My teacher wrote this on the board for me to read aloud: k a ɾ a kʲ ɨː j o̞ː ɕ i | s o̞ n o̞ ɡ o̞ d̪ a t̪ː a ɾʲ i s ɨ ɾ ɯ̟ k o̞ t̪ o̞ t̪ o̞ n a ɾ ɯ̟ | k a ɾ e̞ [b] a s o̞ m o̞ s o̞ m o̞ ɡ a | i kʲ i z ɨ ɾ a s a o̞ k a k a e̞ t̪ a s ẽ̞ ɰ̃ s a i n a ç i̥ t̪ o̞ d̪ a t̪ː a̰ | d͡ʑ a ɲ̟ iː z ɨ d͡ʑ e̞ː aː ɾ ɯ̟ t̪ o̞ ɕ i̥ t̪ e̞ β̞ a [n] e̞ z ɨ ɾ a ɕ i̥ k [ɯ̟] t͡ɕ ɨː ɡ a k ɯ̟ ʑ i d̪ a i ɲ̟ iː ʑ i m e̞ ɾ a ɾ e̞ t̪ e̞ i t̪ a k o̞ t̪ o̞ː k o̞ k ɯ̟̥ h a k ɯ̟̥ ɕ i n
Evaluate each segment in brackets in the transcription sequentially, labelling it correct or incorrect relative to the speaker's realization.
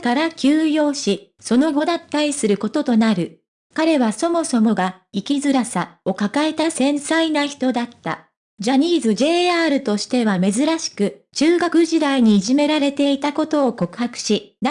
incorrect: β, incorrect: m, correct

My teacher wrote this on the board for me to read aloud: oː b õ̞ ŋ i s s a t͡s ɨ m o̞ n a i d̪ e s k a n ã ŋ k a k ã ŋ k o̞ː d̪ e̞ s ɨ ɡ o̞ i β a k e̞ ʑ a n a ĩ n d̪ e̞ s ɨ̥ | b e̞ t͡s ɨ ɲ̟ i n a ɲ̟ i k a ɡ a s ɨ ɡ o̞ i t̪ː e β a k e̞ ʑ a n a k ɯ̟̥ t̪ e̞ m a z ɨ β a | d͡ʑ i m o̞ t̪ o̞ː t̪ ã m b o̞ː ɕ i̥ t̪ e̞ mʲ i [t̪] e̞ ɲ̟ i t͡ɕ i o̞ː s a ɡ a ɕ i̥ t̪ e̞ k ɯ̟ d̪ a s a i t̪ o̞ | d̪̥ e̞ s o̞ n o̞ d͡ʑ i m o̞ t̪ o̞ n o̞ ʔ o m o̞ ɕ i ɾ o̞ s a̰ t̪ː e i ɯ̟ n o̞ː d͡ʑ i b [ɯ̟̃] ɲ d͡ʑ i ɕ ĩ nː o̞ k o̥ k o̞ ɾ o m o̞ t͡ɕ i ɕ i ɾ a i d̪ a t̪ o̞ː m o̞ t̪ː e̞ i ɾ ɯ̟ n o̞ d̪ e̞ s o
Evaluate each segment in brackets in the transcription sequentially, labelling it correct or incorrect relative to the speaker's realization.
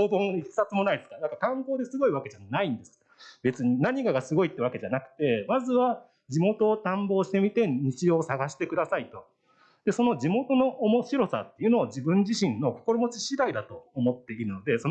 correct, correct

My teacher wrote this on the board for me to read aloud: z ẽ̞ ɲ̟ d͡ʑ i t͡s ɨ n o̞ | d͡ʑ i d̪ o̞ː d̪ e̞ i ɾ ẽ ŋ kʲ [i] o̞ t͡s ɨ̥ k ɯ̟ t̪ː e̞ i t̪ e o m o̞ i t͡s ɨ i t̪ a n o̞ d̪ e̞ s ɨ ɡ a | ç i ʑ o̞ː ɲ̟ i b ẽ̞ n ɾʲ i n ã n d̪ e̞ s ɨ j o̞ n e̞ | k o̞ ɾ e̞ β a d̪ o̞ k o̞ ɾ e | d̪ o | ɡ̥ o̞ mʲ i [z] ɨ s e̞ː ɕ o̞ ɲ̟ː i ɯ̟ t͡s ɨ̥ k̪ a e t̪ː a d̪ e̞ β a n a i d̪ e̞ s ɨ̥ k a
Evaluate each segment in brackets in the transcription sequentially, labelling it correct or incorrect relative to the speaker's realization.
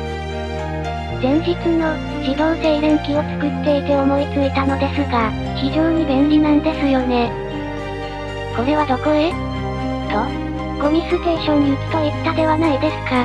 correct, incorrect: s

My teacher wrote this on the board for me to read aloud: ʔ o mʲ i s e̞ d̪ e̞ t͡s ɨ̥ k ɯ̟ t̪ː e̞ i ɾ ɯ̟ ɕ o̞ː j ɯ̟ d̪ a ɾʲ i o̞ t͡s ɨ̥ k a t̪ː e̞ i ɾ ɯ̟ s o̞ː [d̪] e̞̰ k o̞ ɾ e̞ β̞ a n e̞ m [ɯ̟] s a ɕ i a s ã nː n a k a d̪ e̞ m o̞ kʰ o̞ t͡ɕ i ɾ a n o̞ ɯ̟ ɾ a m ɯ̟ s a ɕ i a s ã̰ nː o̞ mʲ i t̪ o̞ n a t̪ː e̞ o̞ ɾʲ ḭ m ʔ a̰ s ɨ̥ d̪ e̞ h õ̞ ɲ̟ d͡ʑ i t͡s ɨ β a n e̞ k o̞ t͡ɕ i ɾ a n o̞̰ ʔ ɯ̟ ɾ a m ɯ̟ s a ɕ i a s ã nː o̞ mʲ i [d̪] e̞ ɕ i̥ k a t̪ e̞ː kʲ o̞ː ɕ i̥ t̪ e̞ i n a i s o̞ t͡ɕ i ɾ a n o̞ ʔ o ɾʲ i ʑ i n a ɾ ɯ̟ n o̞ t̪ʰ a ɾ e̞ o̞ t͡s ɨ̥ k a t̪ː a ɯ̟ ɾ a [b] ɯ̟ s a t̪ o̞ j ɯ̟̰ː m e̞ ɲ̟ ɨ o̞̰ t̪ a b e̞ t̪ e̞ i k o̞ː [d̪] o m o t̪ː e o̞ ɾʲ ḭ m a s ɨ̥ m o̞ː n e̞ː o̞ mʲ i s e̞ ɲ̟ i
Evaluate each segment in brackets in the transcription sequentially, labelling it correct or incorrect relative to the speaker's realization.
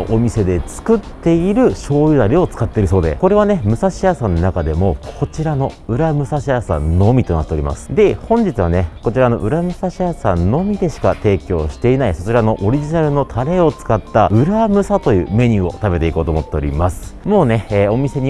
correct, correct, correct, incorrect: m, incorrect: t̪

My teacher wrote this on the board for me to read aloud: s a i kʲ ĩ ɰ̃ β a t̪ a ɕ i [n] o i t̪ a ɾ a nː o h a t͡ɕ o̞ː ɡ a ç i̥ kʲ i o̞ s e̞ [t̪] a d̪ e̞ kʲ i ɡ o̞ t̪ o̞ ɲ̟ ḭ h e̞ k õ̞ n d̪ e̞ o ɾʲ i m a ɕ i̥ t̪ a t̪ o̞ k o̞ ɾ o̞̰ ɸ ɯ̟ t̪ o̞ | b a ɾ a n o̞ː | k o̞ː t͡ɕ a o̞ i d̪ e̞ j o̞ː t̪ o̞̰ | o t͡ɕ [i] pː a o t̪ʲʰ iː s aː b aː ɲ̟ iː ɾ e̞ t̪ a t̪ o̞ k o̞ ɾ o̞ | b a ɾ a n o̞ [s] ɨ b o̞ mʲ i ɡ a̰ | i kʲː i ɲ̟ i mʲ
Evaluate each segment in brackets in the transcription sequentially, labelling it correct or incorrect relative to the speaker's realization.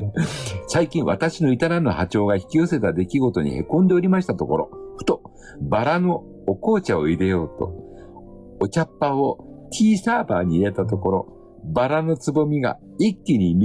correct, correct, incorrect: a, incorrect: t͡s

